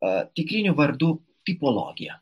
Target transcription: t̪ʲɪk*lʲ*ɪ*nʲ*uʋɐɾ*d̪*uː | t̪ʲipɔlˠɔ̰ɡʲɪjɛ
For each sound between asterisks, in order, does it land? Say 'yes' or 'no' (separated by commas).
no, yes, yes